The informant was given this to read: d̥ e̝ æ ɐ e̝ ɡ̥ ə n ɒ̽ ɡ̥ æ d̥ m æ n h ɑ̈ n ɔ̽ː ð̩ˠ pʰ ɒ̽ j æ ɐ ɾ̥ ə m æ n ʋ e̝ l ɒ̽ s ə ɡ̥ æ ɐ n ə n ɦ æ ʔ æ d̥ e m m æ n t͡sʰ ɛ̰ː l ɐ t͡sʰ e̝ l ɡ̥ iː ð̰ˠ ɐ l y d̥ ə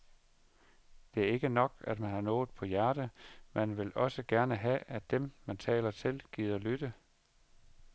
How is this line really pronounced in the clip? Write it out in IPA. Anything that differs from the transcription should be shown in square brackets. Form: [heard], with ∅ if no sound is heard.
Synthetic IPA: d̥ e̝ æ ɐ e̝ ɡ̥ ə n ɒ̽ ɡ̥ æ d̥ m æ n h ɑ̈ n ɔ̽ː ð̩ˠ pʰ ɒ̽ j æ ɐ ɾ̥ ə m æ n ʋ e̝ l ɒ̽ s ə ɡ̥ æ ɐ n ə [∅] ɦ æ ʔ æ d̥ e m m æ n t͡sʰ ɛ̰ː l ɐ t͡sʰ e̝ l ɡ̥ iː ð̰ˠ ɐ l y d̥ ə